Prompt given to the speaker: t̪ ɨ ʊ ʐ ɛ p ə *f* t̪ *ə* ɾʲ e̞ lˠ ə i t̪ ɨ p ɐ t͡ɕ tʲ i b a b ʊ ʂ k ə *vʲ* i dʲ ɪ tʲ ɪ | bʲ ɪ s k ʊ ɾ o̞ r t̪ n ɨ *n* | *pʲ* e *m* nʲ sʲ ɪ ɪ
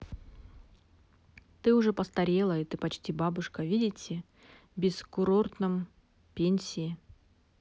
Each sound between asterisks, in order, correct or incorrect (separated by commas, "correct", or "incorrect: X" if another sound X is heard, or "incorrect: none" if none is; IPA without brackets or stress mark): incorrect: s, incorrect: ɐ, correct, incorrect: m, correct, incorrect: none